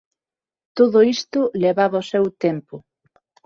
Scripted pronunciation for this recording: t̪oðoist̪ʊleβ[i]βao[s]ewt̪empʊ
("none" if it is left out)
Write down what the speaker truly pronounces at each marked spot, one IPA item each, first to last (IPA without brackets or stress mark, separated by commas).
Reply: a, s